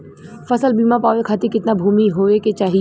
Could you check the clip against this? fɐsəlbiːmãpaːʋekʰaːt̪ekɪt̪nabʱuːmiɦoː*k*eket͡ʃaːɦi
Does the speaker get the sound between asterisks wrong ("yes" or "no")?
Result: yes